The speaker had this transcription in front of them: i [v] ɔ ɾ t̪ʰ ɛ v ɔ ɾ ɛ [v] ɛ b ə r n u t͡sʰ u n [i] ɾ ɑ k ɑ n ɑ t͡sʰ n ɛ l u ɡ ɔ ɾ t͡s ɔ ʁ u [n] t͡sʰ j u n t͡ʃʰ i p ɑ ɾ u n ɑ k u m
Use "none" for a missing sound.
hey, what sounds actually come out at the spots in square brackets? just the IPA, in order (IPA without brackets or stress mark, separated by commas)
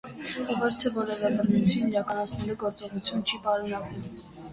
v, v, i, none